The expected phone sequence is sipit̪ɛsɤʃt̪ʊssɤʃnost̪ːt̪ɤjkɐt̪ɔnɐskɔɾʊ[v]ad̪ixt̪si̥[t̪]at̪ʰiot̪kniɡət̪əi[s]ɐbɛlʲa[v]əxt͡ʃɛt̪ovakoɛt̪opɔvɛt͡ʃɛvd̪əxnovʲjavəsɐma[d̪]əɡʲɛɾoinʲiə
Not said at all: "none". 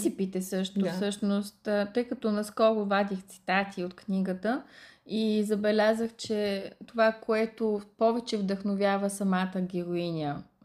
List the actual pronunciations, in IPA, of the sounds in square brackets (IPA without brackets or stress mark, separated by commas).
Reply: v, t̪, z, z, t̪